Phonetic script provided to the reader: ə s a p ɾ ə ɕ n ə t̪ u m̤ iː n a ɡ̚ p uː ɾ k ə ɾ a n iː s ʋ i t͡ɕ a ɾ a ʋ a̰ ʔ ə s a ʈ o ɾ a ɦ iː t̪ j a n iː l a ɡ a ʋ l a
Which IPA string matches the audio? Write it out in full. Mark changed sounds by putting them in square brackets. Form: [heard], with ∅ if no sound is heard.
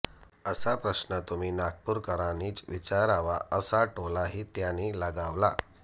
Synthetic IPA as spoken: ə s a p ɾ ə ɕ n ə t̪ u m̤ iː n a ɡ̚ p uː ɾ k ə ɾ a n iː [t͡s] ʋ i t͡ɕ a ɾ a ʋ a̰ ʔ ə s a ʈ o [l] a ɦ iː t̪ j a n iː l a ɡ a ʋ l a